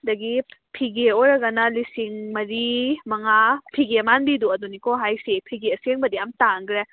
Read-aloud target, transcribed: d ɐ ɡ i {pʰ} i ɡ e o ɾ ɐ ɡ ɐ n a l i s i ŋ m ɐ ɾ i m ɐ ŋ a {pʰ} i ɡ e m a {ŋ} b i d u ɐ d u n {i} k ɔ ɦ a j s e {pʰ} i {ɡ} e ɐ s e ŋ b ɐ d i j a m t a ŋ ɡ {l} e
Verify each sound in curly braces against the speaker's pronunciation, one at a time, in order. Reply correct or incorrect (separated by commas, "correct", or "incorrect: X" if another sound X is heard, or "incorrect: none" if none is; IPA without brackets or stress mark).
correct, correct, incorrect: n, correct, correct, correct, incorrect: ɾ